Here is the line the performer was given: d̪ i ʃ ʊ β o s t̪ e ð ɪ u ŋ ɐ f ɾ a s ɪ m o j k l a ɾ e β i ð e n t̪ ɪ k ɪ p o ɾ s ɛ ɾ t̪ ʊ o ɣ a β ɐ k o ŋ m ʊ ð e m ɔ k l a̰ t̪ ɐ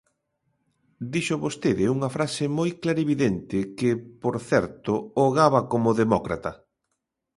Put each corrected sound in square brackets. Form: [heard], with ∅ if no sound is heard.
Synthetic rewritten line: d̪ i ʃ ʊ β o s t̪ e ð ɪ u ŋ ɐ f ɾ a s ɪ m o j k l a ɾ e β i ð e n t̪ ɪ k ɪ p o ɾ [θ] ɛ ɾ t̪ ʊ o ɣ a β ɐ k o [∅] m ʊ ð e m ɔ k [ɾ] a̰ t̪ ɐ

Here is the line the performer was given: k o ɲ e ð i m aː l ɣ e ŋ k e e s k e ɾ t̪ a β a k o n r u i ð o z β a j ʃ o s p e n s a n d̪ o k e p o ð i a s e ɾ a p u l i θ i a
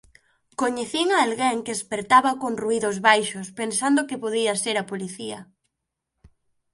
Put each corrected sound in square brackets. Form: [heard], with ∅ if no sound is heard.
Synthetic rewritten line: k o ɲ e [θ] i [ŋ] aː l ɣ e ŋ k e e s [p] e ɾ t̪ a β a k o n r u i ð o z β a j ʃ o s p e n s a n d̪ o k e p o ð i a s e ɾ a p [o] l i θ i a

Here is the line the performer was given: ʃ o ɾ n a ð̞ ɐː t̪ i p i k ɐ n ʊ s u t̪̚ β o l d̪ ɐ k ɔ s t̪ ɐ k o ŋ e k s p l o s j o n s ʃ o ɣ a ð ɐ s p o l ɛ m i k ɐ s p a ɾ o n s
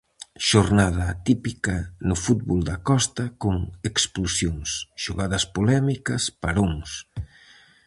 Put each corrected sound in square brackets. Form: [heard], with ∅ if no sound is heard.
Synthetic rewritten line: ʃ o ɾ n a ð̞ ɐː t̪ i p i k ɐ n ʊ [f] u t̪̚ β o l d̪ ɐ k ɔ s t̪ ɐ k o ŋ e k s p l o s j o [ŋ] s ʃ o ɣ a ð ɐ s p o l ɛ m i k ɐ s p a ɾ o [ŋ] s

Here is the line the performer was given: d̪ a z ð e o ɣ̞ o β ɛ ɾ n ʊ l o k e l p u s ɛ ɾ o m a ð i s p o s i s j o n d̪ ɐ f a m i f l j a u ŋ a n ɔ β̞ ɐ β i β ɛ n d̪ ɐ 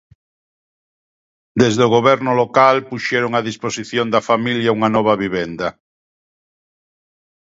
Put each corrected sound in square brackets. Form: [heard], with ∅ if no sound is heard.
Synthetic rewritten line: d̪ [e] z ð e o ɣ̞ o β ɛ ɾ n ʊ l o k [a] l p u [ʃ] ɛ ɾ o [ŋ] a ð i s p o s i [θ] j o n d̪ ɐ f a m i [∅] l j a u ŋ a n ɔ β̞ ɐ β i β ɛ n d̪ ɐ

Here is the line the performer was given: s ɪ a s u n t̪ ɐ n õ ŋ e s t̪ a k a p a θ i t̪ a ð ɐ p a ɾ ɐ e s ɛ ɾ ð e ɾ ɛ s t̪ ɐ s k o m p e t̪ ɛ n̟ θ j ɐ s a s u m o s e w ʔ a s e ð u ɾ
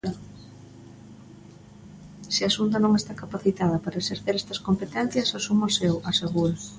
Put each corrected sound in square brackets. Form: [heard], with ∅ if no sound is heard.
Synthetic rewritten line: s ɪ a s u n t̪ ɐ n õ ŋ e s t̪ a k a p a θ i t̪ a ð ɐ p a ɾ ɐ e s [e] ɾ [θ] e ɾ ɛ s t̪ ɐ s k o m p e t̪ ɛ n̟ θ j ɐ s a s u m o s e w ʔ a s e [ɣ] u ɾ

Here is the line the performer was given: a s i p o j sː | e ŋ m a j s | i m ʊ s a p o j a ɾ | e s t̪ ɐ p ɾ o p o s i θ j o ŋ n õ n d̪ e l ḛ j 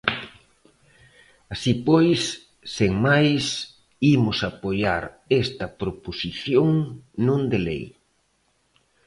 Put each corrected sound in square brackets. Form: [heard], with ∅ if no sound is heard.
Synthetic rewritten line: a s i p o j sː | e ŋ m a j s | i m ʊ s a p o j a ɾ | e s t̪ ɐ p ɾ o p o s i θ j o ŋ n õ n d̪ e l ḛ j

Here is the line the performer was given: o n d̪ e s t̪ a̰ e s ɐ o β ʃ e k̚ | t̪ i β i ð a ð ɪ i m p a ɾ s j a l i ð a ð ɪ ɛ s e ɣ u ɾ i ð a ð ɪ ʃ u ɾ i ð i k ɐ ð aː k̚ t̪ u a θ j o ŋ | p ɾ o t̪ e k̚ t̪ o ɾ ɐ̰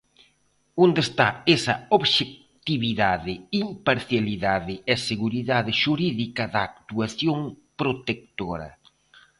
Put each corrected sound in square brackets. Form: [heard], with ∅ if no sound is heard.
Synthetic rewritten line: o n d̪ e s t̪ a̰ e s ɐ o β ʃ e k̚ | t̪ i β i ð a ð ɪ i m p a ɾ [θ] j a l i ð a ð ɪ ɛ s e ɣ u ɾ i ð a ð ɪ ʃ u ɾ i ð i k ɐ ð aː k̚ t̪ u a θ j o ŋ | p ɾ o t̪ e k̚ t̪ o ɾ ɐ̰

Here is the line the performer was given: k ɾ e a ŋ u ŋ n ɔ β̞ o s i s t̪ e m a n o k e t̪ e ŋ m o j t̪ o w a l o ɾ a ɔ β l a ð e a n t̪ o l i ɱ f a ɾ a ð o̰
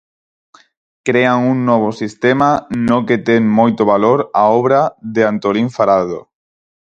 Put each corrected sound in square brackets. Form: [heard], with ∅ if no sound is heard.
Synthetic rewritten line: k ɾ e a ŋ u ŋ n ɔ β̞ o s i s t̪ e m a n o k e t̪ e ŋ m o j t̪ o [β] a l o ɾ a ɔ β [ɾ] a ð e a n t̪ o l i ɱ f a ɾ a ð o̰

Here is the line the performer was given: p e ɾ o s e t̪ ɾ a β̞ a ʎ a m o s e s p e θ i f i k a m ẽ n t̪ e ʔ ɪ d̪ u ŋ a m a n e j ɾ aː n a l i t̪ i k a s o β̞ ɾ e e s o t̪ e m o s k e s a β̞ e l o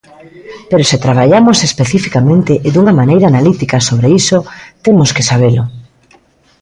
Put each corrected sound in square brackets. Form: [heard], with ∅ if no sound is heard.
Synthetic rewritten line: p e ɾ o s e t̪ ɾ a β̞ a ʎ a m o s e s p e θ i f i k a m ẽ n t̪ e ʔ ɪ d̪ u ŋ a m a n e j ɾ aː n a l i t̪ i k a s o β̞ ɾ e [i] s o t̪ e m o s k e s a β̞ e l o

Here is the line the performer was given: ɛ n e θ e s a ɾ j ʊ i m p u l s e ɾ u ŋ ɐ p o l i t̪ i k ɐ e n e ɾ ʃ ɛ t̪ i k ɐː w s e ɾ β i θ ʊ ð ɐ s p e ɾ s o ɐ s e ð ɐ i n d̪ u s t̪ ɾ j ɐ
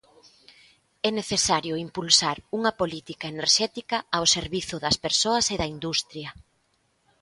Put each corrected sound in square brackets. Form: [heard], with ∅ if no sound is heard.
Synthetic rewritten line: ɛ n e θ e s a ɾ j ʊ i m p u l s [a] ɾ u ŋ ɐ p o l i t̪ i k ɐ e n e ɾ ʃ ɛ t̪ i k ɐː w s e ɾ β i θ ʊ ð ɐ s p e ɾ s o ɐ s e ð ɐ i n d̪ u s t̪ ɾ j ɐ

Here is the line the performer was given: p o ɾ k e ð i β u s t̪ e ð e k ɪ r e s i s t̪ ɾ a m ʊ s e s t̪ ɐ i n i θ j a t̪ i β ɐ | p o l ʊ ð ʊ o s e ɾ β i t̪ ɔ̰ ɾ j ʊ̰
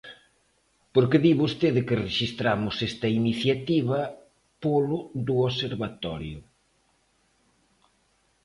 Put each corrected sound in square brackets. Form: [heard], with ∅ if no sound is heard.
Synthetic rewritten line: p o ɾ k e ð i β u s t̪ e ð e k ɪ r e [ʃ] i s t̪ ɾ a m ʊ s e s t̪ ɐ i n i θ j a t̪ i β ɐ | p o l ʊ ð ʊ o s e ɾ β [a] t̪ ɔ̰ ɾ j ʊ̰

